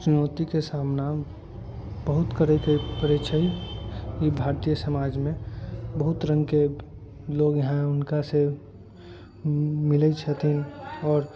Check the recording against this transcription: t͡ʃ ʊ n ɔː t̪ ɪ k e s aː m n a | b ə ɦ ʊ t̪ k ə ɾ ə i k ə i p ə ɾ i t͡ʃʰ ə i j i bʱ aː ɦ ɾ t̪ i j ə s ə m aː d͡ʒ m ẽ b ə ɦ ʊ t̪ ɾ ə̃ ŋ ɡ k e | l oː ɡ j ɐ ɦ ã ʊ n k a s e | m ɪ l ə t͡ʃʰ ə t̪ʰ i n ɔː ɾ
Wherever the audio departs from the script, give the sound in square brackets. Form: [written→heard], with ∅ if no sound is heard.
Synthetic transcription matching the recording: t͡ʃ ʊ n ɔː t̪ [ɪ→i] k e s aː m n a | b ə ɦ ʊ t̪ k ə ɾ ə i k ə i p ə ɾ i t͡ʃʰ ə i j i bʱ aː [ɦ→∅] ɾ t̪ i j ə s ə m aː d͡ʒ m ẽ b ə ɦ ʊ t̪ ɾ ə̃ ŋ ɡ k e | l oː ɡ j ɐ ɦ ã ʊ n k a s e | m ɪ l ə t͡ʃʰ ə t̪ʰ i n ɔː ɾ